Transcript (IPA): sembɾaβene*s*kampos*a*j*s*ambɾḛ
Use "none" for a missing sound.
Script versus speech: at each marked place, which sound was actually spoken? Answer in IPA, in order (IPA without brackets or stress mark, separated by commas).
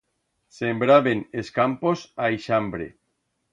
s, a, ʃ